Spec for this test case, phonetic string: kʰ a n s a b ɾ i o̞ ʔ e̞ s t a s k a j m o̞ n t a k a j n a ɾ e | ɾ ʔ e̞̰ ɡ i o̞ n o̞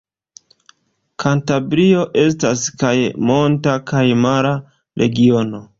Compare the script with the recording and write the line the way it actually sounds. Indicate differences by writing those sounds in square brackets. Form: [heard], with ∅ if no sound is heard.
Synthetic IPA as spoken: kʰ a n [t] a b ɾ i o̞ ʔ e̞ s t a s k a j m o̞ n t a k a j [m] a ɾ [a] | ɾ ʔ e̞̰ ɡ i o̞ n o̞